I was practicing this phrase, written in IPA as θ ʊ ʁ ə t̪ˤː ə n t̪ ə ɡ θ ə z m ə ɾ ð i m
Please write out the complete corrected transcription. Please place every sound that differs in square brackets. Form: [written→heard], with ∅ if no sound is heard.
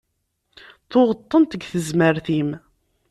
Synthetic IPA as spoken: θ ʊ ʁ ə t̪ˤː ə n t̪ ə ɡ θ ə z m ə ɾ [ð→θ] i m